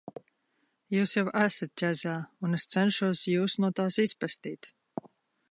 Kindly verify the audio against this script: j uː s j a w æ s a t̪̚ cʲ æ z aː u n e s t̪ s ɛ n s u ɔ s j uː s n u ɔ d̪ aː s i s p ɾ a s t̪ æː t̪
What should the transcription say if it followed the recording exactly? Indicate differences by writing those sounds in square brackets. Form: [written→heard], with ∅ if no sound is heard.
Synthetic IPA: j uː s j a w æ s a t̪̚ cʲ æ z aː u n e s t̪ s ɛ n [s→ʃ] u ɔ s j uː s n u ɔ [d̪→t̪] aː s i s p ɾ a s t̪ [æː→iː] t̪